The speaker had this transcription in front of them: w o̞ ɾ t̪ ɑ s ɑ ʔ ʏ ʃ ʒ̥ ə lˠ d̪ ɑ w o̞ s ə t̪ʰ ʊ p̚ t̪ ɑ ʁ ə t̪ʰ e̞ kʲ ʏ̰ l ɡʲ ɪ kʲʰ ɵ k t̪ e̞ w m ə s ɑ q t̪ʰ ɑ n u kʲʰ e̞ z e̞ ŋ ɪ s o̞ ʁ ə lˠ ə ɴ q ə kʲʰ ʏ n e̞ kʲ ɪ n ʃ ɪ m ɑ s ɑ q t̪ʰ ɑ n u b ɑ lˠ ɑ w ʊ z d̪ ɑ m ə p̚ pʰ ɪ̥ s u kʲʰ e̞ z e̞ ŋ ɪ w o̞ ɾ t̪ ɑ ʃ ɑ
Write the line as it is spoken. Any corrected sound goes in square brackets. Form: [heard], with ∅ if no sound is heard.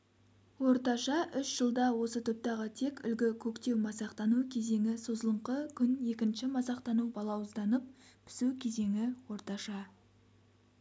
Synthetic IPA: w o̞ ɾ t̪ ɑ [ʃ] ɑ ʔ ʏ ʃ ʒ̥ ə lˠ d̪ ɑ w o̞ s ə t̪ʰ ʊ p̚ t̪ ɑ ʁ ə t̪ʰ e̞ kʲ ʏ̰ l ɡʲ ɪ kʲʰ ɵ k t̪ e̞ w m [ɑ] s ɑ q [t̪] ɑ n u kʲʰ e̞ z e̞ ŋ ɪ s o̞ [z] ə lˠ ə ɴ q ə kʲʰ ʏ n e̞ kʲ ɪ n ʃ ɪ m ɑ s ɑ q [t̪] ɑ n u b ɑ lˠ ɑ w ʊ z d̪ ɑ [n] ə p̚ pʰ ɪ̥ s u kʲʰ e̞ z e̞ ŋ ɪ w o̞ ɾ t̪ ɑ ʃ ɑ